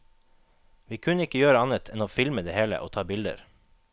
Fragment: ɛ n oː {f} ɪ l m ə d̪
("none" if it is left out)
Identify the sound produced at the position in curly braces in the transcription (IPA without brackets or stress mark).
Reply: f